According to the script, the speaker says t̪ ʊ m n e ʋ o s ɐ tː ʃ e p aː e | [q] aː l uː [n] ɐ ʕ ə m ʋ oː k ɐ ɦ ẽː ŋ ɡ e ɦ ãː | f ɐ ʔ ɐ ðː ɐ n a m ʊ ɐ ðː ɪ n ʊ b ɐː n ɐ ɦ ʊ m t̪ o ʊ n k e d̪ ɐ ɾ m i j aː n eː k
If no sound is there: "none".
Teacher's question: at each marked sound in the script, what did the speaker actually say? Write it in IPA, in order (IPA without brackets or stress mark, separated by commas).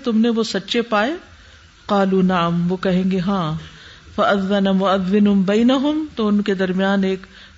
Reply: q, n